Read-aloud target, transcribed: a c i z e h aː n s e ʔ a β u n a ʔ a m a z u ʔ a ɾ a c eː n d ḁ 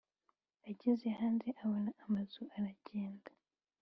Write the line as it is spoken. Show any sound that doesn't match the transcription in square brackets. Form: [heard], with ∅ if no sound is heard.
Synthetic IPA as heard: a [ɟ] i z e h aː n [z] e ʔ a β [o] n a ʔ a m a z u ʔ a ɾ a [ɟ] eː n d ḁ